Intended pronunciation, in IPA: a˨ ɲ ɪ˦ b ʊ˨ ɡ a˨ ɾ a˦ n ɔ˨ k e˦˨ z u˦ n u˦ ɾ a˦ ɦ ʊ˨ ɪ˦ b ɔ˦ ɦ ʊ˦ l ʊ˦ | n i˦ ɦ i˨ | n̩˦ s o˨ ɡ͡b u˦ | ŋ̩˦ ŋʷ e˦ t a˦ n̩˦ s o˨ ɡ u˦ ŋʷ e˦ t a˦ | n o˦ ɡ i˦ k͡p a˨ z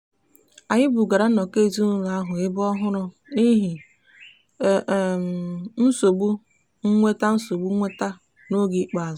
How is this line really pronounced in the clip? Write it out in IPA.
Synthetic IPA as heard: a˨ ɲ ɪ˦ b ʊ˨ ɡ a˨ ɾ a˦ n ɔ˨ k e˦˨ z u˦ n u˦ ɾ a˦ ɦ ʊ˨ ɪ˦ b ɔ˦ ɦ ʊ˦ ɾ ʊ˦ | n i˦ ɦ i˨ | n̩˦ s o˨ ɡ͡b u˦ | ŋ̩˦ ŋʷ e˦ t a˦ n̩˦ s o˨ ɡ͡b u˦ ŋʷ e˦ t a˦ | n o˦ ɡ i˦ k͡p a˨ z